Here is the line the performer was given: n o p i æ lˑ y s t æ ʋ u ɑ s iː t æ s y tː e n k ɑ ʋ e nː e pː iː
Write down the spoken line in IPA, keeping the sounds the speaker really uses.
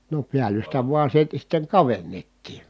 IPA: n o p i æ lˑ y s t æ ʋ u ɑ s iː t æ s i tː e ŋ k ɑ ʋ e nː e tː iː